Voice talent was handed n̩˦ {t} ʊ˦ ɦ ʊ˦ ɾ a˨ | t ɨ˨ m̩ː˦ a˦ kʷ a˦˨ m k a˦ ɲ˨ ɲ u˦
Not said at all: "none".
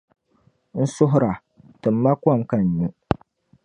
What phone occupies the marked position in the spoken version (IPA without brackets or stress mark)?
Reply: s